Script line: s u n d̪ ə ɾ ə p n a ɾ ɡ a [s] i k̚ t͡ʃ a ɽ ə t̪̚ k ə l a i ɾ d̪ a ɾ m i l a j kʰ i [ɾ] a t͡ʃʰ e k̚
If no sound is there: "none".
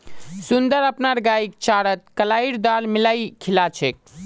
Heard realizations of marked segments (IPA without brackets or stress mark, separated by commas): none, l